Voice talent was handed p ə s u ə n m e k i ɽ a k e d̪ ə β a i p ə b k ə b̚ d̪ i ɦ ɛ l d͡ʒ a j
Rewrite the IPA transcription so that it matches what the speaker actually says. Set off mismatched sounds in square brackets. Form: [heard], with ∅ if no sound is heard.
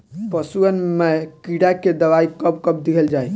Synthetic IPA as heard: p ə s u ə n m e k i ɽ a k e d̪ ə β a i [k] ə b k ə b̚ d̪ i ɦ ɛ l d͡ʒ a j